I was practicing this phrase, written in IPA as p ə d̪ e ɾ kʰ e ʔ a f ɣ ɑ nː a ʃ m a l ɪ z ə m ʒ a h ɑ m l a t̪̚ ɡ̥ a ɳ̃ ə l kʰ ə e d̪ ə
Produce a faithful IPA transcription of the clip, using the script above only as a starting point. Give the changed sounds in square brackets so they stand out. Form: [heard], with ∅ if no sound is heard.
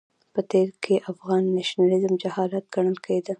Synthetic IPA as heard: p ə [t̪] e ɾ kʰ e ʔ a f ɣ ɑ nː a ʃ [n] a l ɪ z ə m [d͡ʒ] a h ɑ [∅] l a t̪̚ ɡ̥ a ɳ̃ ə l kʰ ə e d̪ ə